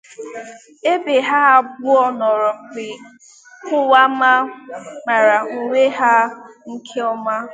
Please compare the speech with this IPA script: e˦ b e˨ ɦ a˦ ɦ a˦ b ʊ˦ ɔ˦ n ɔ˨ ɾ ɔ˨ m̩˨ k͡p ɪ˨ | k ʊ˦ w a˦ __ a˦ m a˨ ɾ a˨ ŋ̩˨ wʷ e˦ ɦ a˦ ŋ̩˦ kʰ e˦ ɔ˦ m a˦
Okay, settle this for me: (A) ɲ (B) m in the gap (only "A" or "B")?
B